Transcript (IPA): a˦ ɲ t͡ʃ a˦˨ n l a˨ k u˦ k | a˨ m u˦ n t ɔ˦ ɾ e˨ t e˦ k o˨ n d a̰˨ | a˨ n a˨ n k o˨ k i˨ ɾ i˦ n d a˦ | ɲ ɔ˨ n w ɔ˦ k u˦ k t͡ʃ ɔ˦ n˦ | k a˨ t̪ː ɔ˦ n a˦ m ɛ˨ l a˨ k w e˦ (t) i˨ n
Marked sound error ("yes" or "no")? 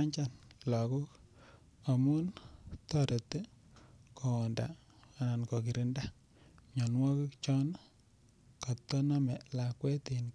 no